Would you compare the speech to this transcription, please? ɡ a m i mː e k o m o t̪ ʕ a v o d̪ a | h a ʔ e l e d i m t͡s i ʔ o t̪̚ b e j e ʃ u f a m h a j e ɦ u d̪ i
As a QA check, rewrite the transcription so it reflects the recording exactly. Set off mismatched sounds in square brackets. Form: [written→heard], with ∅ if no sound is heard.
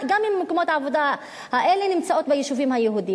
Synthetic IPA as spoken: ɡ a m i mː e k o m o t̪ ʕ a v o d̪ a | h a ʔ e l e [d→n] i m t͡s [i→a] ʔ o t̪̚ b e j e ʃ u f [a→i] m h a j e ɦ u d̪ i